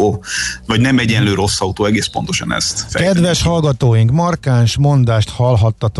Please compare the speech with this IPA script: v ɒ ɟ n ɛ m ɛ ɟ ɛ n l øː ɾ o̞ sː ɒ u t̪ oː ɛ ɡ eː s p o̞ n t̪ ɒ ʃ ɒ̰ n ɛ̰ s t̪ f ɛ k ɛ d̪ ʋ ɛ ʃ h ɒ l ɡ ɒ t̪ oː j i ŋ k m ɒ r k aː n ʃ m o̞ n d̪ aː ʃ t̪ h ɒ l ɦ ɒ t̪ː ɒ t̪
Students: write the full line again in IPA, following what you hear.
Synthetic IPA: v ɒ ɟ n ɛ m ɛ ɟ ɛ n l øː ɾ o̞ sː ɒ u t̪ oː ɛ ɡ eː s p o̞ n t̪ o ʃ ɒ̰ n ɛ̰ s t̪ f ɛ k ɛ d̪ ʋ ɛ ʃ h ɒ l ɡ ɒ t̪ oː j i ŋ k m ɒ r k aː n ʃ m o̞ n d̪ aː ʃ t̪ h ɒ l ɦ ɒ t̪ː ɒ t̪